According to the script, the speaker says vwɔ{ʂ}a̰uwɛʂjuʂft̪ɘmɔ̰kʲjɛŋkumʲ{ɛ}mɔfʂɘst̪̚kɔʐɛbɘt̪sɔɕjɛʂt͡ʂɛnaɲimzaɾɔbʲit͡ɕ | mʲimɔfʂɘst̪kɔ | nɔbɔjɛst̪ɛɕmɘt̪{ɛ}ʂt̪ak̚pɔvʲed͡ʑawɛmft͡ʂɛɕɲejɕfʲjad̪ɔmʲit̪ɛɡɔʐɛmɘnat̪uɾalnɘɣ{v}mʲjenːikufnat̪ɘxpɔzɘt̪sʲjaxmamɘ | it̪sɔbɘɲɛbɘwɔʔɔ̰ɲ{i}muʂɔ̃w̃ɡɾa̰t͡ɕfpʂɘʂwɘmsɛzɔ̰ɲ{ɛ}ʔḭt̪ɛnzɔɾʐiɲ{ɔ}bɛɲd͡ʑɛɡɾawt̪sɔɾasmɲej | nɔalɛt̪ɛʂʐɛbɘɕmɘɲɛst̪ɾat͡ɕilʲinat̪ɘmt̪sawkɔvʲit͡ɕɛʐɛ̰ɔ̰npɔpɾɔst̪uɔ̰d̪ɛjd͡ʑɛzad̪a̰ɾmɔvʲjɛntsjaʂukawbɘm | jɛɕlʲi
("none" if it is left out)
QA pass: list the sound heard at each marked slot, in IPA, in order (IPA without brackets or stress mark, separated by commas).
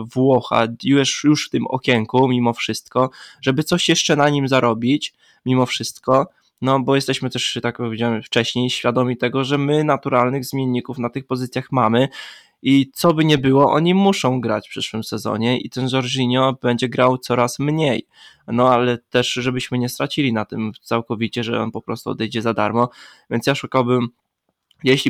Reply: x, i, ɛ, z, i, ɛ, ɔ